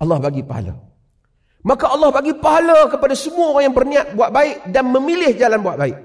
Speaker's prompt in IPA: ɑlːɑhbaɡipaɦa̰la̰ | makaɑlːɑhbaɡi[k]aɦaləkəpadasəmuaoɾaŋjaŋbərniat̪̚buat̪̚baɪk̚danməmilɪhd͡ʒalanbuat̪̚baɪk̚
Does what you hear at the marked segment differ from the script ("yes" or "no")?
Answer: yes